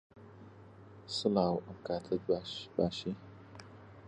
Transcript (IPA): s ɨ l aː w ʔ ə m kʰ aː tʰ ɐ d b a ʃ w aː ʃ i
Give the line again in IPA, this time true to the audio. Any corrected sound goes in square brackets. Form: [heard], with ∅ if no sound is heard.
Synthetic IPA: s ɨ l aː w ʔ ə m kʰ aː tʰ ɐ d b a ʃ [b] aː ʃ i